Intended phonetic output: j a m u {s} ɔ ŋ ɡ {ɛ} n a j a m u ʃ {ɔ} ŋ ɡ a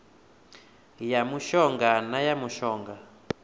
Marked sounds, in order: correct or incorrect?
incorrect: ʃ, incorrect: a, incorrect: ɔː

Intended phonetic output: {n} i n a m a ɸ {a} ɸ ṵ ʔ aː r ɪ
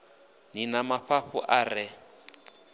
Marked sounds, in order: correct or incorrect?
correct, correct

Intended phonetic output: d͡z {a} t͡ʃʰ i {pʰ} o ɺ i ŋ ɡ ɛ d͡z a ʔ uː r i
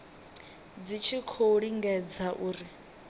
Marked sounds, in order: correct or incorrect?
incorrect: i, incorrect: kʰ

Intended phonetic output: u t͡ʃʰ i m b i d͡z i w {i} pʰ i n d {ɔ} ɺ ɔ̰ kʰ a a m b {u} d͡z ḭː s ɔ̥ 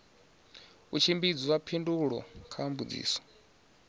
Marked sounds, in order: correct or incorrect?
incorrect: a, incorrect: u, correct

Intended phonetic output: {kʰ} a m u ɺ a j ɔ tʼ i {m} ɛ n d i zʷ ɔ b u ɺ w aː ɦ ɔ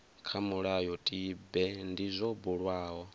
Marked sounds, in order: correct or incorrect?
correct, incorrect: b

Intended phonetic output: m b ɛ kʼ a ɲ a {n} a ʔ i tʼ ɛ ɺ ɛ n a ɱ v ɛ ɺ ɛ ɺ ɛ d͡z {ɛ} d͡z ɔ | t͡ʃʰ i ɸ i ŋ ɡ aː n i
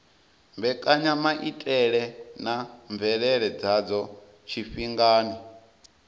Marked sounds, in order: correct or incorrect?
incorrect: m, incorrect: a

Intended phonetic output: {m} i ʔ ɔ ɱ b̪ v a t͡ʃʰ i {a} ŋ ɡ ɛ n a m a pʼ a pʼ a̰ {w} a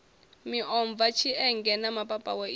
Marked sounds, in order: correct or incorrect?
correct, incorrect: ɛ, correct

